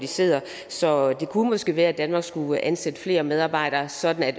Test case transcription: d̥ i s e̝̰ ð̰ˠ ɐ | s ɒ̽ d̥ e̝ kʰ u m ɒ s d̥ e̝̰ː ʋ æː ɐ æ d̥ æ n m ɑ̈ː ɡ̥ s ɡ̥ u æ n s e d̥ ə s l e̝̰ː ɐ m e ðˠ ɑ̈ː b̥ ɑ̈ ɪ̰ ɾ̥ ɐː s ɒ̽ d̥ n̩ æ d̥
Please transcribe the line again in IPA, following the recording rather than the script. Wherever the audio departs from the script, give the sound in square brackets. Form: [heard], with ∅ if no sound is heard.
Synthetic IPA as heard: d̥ i s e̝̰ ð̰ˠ ɐ | s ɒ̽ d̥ e̝ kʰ u m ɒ s [ɡ̥] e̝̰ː ʋ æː ɐ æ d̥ æ n m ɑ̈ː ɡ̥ s ɡ̥ u æ n s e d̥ ə [f] l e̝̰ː ɐ m e ðˠ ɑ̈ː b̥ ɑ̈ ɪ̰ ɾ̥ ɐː s ɒ̽ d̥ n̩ æ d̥